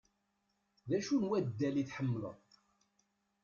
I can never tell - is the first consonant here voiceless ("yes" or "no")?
no